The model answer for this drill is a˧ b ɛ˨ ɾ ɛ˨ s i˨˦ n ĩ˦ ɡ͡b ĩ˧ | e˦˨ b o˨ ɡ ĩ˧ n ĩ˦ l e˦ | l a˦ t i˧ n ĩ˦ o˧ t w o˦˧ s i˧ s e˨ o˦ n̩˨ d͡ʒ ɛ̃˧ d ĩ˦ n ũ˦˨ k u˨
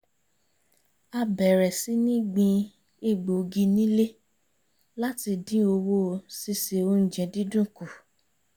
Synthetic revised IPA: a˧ b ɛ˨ ɾ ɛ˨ s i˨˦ n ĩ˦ ɡ͡b ĩ˧ | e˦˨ ɡ͡b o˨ ɡ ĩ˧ n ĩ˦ l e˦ | l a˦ t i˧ d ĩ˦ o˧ w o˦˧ s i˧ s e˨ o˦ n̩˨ d͡ʒ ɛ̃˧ d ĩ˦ d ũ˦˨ k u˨